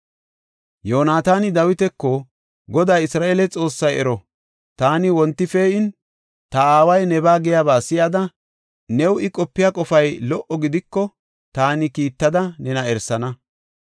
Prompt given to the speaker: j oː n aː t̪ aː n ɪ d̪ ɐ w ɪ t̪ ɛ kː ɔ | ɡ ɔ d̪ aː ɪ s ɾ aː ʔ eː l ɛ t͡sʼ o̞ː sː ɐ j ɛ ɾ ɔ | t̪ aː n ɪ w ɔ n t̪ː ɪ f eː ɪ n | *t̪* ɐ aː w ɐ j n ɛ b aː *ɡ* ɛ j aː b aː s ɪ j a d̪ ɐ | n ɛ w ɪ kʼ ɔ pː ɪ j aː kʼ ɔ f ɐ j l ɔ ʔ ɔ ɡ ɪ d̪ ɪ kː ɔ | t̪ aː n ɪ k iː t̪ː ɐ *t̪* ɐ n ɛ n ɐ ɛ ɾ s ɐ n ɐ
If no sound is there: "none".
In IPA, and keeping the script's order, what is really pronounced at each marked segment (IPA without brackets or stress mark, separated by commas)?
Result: t̪, ɡ, d̪